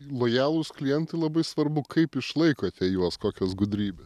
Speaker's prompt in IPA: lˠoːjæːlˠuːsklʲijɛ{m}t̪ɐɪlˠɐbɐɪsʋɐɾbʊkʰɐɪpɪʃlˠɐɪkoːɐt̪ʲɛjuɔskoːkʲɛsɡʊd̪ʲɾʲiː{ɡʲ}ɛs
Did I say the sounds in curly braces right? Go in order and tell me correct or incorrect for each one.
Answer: incorrect, incorrect

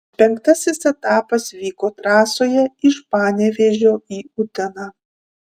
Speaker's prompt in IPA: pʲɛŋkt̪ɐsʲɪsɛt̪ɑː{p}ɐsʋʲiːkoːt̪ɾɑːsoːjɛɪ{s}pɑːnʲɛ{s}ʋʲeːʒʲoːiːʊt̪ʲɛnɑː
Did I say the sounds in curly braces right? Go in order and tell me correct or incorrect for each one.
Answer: correct, incorrect, incorrect

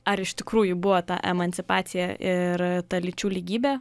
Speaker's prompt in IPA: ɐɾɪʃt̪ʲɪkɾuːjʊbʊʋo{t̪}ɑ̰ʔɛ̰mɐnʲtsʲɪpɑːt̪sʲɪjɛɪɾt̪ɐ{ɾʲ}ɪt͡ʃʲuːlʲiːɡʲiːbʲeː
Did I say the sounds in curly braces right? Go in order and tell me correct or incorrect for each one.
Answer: correct, incorrect

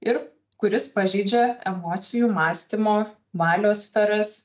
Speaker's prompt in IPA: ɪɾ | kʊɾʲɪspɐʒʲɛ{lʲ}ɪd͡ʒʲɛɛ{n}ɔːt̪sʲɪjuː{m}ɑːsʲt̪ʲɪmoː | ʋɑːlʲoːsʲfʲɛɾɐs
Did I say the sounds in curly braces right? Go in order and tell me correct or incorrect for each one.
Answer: incorrect, incorrect, correct

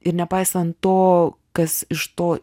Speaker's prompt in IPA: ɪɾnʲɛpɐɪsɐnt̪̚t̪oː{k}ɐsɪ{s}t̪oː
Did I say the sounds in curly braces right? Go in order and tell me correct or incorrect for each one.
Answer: correct, incorrect

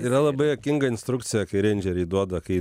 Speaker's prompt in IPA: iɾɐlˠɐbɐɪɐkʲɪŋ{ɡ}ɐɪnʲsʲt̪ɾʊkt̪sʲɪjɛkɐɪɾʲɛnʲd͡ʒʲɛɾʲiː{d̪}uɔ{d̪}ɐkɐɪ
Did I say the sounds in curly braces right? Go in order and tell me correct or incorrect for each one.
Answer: correct, correct, correct

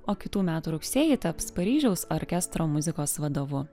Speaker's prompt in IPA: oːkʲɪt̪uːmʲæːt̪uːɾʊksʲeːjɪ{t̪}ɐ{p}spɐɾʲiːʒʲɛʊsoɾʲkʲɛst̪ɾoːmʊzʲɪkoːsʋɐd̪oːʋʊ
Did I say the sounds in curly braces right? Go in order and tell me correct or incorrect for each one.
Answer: correct, correct

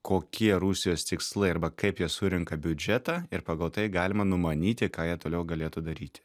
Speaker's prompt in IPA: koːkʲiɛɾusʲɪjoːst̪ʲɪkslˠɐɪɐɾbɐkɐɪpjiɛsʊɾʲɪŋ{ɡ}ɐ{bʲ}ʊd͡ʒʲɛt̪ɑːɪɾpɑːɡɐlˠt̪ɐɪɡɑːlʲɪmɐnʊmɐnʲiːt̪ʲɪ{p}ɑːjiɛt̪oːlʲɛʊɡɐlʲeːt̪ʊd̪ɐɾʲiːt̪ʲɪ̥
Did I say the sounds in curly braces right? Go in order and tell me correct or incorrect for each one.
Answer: incorrect, correct, incorrect

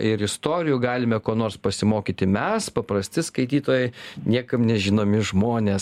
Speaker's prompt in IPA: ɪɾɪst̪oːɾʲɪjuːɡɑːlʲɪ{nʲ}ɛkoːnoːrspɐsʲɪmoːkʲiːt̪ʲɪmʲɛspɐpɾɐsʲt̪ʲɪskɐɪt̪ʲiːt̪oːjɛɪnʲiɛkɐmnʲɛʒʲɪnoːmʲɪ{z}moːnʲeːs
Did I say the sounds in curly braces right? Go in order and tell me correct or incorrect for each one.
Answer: incorrect, incorrect

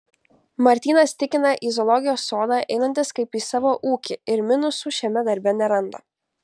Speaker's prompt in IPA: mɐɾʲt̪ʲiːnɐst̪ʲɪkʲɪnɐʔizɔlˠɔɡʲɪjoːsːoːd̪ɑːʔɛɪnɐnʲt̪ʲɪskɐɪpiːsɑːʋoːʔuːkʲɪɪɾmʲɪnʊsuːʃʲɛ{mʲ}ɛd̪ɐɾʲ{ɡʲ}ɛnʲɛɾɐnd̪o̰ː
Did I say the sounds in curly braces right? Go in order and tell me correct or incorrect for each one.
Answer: correct, incorrect

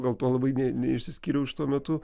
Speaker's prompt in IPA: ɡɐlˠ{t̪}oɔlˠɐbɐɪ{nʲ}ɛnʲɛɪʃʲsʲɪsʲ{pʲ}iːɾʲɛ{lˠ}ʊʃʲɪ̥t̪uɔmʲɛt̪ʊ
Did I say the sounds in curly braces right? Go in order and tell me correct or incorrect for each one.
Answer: correct, correct, incorrect, incorrect

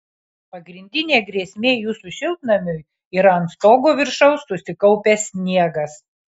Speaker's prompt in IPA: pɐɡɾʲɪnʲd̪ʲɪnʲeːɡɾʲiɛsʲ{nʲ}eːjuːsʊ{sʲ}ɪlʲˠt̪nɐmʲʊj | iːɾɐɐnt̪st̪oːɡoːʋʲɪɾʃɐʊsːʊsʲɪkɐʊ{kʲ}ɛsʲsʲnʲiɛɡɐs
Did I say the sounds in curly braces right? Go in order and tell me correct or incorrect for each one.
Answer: incorrect, incorrect, incorrect

